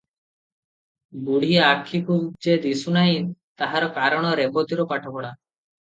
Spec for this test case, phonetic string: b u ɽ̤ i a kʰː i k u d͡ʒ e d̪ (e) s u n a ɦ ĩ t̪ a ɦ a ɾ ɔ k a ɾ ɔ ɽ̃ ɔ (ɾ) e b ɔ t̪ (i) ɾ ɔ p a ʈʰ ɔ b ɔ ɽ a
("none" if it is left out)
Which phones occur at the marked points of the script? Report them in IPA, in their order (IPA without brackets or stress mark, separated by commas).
i, ɾ, i